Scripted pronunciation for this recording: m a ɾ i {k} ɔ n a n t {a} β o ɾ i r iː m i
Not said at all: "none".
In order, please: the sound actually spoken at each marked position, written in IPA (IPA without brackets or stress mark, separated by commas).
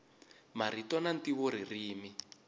t, i